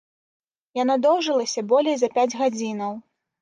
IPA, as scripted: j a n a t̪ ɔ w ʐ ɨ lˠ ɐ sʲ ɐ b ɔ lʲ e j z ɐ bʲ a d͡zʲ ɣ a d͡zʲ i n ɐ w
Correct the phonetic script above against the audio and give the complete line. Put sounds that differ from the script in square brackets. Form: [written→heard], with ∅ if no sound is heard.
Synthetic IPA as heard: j a n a [t̪→d̪] ɔ w ʐ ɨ lˠ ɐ sʲ ɐ b ɔ lʲ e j z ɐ [bʲ→pʲ] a d͡zʲ ɣ a d͡zʲ i n ɐ w